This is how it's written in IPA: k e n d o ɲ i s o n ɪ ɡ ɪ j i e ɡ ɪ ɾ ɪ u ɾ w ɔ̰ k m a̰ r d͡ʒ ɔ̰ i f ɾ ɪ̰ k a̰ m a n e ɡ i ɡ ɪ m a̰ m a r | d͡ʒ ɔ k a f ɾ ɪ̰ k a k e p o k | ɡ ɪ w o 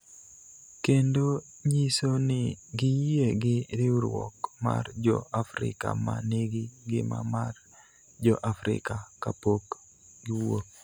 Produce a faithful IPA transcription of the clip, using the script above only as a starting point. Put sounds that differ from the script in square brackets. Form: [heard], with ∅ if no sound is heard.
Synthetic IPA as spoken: k e n d o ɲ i s o n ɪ ɡ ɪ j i e ɡ ɪ ɾ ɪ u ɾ w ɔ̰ k m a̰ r d͡ʒ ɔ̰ [a] f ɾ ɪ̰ k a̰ m a n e ɡ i ɡ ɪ m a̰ m a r | d͡ʒ ɔ [ʔ] a f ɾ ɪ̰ k a k [a] p o k | ɡ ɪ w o